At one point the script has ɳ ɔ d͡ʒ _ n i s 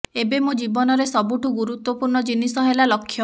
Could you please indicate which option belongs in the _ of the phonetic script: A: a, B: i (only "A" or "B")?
B